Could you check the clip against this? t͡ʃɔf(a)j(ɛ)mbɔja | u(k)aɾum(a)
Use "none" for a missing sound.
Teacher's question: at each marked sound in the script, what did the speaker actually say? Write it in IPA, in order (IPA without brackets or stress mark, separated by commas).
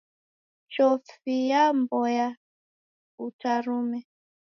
i, a, t, ɛ